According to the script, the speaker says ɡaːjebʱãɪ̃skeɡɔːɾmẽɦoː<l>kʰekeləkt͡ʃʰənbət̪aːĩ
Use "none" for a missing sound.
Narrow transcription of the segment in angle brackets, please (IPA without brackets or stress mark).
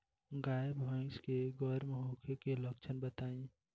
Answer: none